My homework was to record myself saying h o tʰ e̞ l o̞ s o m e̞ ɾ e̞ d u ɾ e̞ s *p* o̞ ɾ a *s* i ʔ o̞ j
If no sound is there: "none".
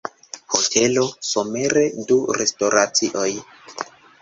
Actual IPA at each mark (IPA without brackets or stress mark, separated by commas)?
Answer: t, t͡s